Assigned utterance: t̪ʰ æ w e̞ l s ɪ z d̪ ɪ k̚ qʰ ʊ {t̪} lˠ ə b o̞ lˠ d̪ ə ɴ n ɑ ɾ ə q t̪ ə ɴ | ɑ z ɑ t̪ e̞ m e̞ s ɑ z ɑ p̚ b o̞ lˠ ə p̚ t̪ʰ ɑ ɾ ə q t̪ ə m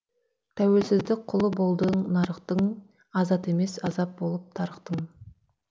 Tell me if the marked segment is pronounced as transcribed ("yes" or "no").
no